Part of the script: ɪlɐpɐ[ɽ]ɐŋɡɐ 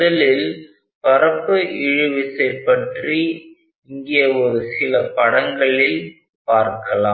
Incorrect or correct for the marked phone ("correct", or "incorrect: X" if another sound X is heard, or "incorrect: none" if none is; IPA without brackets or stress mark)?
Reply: correct